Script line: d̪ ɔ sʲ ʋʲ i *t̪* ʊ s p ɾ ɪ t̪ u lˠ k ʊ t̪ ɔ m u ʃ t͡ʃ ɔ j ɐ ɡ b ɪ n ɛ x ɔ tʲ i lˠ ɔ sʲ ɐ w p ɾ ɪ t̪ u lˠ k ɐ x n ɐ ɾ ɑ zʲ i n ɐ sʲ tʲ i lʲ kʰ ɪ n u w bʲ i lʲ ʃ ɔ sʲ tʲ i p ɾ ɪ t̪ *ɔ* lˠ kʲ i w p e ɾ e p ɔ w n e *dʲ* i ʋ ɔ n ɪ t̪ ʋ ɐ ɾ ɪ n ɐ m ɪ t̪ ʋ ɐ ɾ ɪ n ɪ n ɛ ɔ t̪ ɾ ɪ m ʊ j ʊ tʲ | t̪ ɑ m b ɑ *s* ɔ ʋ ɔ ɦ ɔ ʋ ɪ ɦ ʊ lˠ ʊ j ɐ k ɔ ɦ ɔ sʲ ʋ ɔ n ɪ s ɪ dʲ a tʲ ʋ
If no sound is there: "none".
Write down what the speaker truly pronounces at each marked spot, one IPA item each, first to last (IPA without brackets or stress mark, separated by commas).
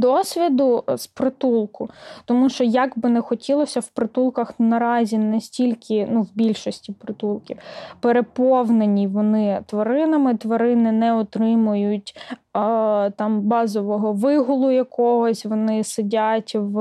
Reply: d̪, u, nʲ, z